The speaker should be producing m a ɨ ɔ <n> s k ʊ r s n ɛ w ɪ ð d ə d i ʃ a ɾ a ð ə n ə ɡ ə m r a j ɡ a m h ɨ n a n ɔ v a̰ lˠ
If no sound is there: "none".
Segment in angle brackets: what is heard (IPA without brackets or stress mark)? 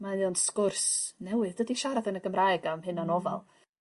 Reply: n